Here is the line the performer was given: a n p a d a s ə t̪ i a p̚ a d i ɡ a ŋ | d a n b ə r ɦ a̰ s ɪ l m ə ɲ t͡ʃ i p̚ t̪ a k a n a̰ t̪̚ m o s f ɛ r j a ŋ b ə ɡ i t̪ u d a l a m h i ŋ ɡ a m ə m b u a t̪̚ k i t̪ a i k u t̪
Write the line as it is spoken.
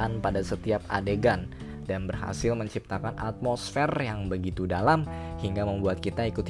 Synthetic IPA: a n p a d a s ə t̪ i a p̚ a d e ɡ a n | d a n b ə r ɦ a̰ s ɪ l m ə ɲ t͡ʃ i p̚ t̪ a k a n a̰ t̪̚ m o s f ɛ r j a ŋ b ə ɡ i t̪ u d a l a m h i ŋ ɡ a m ə m b u a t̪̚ k i t̪ a i k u t̪